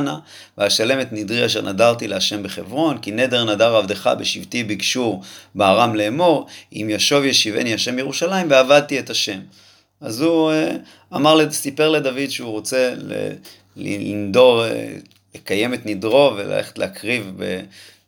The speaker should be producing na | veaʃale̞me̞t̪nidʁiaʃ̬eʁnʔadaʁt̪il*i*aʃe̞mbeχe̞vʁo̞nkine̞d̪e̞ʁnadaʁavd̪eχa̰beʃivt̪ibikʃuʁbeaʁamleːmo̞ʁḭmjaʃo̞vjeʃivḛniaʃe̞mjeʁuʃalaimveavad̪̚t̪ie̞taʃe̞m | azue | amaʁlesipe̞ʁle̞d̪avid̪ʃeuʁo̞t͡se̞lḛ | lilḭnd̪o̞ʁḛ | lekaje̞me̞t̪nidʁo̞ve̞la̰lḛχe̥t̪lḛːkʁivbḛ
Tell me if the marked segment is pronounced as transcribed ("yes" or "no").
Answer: no